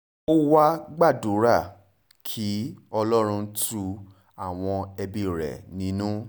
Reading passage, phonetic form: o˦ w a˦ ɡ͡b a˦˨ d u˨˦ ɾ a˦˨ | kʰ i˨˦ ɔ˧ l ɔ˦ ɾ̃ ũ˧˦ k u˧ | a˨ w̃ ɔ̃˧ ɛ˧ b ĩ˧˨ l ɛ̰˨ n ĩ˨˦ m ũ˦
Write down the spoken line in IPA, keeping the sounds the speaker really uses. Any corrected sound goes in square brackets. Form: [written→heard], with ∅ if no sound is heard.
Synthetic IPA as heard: o˦ w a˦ ɡ͡b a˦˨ d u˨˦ ɾ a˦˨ | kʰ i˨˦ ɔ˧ l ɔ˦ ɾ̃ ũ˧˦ [k→t] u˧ | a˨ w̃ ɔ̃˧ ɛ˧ b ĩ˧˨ [l→ɾ] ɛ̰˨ n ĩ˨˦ [m→n] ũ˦